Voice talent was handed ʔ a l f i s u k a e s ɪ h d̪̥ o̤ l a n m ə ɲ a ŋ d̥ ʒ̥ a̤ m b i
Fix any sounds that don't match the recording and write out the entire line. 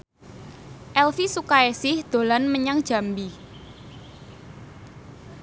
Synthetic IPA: ʔ ɛ l f i s u k a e s ɪ h d̪̥ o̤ l a n m ə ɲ a ŋ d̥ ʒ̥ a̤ m b i